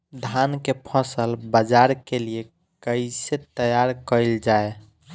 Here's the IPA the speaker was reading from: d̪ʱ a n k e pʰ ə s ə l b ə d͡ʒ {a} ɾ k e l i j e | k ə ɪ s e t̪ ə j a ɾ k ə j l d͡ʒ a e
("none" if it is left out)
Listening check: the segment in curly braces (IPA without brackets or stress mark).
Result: a